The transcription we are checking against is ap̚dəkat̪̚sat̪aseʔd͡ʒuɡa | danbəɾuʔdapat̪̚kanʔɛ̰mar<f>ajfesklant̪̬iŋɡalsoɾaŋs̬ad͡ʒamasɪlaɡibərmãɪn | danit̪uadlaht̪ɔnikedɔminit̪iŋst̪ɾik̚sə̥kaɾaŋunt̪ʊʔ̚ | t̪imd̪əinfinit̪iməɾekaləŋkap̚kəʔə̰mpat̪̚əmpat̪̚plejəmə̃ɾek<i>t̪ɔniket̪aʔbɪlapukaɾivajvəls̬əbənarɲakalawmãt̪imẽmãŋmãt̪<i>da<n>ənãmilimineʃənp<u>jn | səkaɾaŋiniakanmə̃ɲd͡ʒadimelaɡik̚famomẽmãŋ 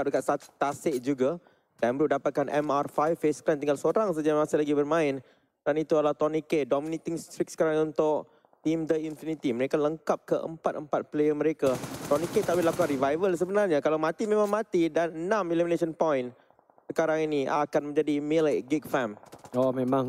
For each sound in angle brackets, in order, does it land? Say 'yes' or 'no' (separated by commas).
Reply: yes, no, yes, yes, no